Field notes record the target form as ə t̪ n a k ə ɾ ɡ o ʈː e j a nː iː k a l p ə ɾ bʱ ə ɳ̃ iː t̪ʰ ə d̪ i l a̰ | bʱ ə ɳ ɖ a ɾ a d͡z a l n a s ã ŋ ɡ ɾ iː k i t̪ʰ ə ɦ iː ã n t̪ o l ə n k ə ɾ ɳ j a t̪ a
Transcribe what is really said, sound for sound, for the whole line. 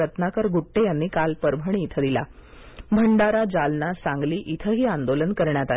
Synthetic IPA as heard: ə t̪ n a k ə ɾ ɡ u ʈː e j a nː iː k a l p ə ɾ bʱ ə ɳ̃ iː t̪ʰ ə d̪ i l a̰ | bʱ ə ɳ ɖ a ɾ a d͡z a l n a s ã ŋ ɡ l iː ʔ i t̪ʰ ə ɦ iː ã n d̪ o l ə n k ə ɾ ɳ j a t̪ a

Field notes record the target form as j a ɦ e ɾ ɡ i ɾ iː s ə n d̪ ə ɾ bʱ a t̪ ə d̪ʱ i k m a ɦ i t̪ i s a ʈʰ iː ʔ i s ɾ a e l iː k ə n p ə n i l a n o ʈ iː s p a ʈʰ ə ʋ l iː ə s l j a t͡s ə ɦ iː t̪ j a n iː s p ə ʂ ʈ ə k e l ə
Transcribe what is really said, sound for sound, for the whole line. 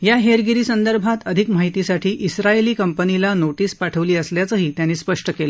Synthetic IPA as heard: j a ɦ e ɾ ɡ i ɾ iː s ə n d̪ ə ɾ bʱ a t̪ ə d̪ʱ i k m a ɦ i t̪ i s a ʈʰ iː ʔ i s ɾ a e l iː k ə m p ə n i l a n o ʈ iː s p a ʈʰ ə ʋ l iː ə s l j a t͡s ə ɦ iː t̪ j a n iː s p ə ʂ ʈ ə k e l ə

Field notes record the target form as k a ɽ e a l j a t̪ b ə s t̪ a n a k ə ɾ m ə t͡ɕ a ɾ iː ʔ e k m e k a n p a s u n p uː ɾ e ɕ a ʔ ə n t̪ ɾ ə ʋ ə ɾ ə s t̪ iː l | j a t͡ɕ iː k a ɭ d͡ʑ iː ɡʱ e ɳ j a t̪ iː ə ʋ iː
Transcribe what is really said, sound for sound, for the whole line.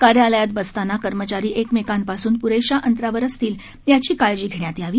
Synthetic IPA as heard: k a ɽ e a l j a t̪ b ə s t̪ a n a k ə ɾ m ə t͡ɕ a ɾ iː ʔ e k m e k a n p a s uː n p u ɾ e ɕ a ʔ ə n t̪ ɾ a ʋ ə ɾ ə s t̪ iː l | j a t͡ɕ iː k a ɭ d͡ʑ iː ɡʱ e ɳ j a t̪ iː a ʋ iː

